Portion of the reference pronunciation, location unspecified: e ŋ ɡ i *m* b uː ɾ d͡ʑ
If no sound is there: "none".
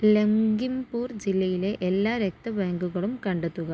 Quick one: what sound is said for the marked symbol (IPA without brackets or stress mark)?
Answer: m